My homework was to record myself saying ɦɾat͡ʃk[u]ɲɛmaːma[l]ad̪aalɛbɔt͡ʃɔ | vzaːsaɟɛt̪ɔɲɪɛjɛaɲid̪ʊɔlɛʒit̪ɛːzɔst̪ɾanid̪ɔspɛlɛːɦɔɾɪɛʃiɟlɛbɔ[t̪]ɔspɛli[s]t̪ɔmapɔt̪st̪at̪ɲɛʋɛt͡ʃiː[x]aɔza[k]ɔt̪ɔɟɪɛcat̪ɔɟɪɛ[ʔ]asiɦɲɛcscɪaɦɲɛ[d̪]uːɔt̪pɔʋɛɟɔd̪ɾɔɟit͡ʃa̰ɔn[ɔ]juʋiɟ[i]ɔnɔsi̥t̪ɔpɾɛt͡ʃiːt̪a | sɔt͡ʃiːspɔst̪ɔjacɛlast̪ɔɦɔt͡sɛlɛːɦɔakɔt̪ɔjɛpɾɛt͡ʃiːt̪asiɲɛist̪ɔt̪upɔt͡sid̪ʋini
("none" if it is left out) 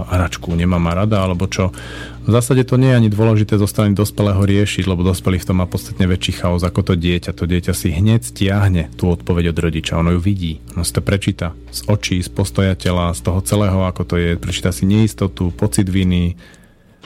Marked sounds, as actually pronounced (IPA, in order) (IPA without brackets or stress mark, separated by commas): u, ɾ, d̪, f, x, k, c, t̪, ɔ, iː